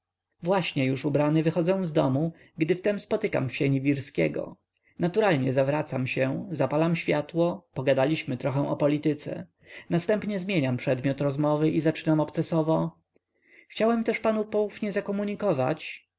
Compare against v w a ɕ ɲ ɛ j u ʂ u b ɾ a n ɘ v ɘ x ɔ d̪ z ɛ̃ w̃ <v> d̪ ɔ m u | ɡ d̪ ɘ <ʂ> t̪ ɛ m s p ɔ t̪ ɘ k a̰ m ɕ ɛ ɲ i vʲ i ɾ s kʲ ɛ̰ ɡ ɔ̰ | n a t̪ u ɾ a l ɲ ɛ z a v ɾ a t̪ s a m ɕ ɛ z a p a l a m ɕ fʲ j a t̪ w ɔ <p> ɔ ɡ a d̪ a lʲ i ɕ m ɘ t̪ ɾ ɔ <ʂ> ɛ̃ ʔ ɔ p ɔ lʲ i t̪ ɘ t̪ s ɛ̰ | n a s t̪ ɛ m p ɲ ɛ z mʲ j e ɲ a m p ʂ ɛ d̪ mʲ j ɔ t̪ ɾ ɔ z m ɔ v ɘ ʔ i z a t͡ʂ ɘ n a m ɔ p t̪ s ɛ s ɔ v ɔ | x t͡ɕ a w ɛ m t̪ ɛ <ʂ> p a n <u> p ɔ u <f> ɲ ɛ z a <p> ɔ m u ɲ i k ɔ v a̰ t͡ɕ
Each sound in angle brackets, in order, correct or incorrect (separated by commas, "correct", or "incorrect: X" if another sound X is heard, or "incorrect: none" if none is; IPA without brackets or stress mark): incorrect: z, incorrect: f, correct, incorrect: x, correct, correct, correct, incorrect: k